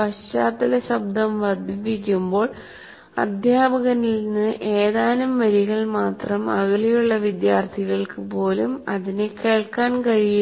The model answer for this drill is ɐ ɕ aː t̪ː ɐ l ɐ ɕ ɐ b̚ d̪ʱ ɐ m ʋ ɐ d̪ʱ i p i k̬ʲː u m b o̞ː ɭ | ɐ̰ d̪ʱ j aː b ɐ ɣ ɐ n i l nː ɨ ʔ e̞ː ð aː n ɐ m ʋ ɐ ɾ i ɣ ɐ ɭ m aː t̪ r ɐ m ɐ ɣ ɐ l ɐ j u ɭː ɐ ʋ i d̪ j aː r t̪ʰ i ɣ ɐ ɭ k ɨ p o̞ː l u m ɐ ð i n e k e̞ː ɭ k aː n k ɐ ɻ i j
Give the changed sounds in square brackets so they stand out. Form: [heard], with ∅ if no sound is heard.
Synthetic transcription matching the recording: ɐ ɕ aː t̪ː ɐ l ɐ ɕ ɐ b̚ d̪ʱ ɐ m ʋ ɐ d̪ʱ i p i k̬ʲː u m b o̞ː ɭ | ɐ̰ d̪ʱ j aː b ɐ ɣ ɐ n i l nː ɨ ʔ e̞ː ð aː n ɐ m ʋ ɐ ɾ i ɣ ɐ ɭ m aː t̪ r ɐ m ɐ ɣ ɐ l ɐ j u ɭː ɐ ʋ i d̪ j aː r t̪ʰ i ɣ ɐ ɭ k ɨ p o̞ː l u m ɐ ð i n e k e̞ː ɭ k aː n k ɐ ɻ i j